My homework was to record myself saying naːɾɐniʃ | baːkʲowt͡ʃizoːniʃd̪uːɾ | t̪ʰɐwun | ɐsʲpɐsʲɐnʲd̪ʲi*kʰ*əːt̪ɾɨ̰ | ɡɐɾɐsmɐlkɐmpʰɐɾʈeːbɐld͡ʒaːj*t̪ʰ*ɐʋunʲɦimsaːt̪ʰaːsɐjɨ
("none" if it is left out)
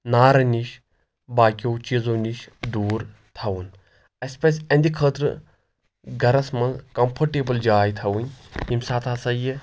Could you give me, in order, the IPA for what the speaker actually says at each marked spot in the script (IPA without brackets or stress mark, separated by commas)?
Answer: kʰ, t̪ʰ